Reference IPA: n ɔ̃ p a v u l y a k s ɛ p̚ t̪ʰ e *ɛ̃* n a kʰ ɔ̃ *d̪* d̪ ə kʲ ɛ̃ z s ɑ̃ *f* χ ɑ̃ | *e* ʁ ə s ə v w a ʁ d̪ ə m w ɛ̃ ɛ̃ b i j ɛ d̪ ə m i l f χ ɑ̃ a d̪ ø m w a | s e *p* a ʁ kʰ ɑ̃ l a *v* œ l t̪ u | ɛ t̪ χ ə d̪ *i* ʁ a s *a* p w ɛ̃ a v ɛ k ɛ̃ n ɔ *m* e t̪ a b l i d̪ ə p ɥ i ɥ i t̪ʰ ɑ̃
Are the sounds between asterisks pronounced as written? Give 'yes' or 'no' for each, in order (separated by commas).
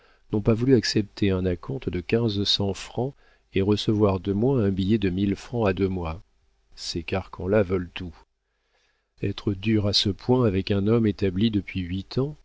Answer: yes, no, yes, yes, no, yes, no, no, yes